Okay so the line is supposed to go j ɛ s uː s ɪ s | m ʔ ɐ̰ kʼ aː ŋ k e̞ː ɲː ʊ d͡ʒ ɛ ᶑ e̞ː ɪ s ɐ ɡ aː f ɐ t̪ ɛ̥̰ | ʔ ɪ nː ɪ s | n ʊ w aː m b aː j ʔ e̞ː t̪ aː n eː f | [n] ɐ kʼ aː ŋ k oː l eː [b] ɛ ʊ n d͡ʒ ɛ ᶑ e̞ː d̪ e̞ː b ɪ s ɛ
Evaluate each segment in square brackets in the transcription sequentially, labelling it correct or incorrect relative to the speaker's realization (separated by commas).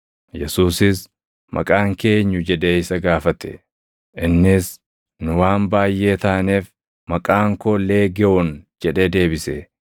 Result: incorrect, incorrect